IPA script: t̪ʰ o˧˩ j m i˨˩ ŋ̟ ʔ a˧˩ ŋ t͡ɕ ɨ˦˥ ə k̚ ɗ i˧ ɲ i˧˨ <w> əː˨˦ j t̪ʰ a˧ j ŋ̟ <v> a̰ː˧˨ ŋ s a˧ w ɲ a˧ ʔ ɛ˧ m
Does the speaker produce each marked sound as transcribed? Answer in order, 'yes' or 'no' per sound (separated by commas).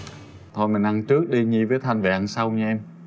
no, yes